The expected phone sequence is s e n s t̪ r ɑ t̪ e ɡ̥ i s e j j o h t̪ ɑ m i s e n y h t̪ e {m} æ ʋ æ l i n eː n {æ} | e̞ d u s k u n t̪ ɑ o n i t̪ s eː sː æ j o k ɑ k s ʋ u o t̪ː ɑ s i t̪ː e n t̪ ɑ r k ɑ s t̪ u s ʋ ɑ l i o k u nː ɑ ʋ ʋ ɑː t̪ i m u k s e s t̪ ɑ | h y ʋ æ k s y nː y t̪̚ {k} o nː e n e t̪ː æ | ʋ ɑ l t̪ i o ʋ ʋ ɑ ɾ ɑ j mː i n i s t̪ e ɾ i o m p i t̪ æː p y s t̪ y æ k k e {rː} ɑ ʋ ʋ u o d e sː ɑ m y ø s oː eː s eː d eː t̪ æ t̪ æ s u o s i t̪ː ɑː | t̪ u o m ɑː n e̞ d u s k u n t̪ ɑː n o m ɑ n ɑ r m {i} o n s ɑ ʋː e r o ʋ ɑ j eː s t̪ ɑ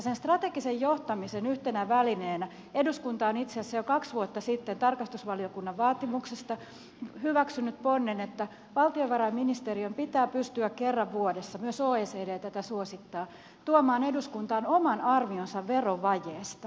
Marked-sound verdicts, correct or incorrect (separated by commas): incorrect, correct, incorrect, correct, correct